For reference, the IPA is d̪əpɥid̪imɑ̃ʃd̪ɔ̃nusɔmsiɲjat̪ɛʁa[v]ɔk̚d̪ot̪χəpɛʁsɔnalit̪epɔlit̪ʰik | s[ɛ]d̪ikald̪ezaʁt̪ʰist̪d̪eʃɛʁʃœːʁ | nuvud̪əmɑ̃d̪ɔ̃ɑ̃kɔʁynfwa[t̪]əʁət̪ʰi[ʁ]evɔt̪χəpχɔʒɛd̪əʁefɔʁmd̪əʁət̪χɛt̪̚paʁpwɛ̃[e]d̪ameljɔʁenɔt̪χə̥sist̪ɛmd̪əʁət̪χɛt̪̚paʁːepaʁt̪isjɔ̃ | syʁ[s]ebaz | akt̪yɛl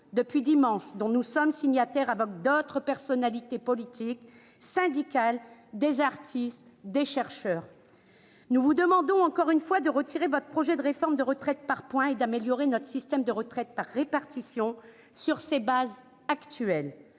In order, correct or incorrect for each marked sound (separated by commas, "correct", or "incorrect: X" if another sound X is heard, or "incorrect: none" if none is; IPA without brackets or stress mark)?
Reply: correct, incorrect: ɛ̃, incorrect: d̪, correct, correct, correct